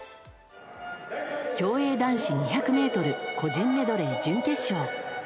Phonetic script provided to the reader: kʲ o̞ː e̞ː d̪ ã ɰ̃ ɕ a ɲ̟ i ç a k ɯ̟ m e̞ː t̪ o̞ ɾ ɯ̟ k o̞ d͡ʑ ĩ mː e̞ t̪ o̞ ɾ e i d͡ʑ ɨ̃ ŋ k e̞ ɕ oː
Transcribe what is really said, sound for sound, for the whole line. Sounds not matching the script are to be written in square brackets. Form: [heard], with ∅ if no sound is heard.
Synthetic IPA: kʲ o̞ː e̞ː d̪ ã ɰ̃ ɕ [i] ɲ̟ i ç a k ɯ̟ m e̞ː t̪ o̞ ɾ ɯ̟ k o̞ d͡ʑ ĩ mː e̞ [d̪] o̞ ɾ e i d͡ʑ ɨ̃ ŋ k e̞ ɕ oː